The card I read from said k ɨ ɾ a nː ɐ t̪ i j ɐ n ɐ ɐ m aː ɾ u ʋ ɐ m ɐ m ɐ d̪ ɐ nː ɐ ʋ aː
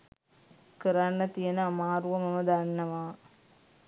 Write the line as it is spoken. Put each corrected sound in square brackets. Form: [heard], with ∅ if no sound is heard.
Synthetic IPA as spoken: k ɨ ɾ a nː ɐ t̪ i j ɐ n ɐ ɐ m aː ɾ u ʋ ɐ m ɐ m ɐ d̪ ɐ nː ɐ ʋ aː